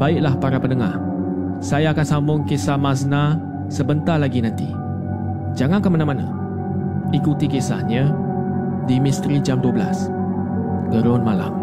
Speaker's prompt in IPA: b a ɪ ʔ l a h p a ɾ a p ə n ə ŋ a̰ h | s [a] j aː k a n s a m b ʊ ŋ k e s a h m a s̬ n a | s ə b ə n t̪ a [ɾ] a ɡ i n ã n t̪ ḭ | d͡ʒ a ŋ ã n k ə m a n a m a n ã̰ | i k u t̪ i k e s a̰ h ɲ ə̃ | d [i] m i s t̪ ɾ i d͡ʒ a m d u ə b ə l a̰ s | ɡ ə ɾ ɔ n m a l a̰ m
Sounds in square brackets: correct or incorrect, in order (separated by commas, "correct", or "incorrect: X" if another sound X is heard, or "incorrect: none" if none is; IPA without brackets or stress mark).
correct, incorrect: l, correct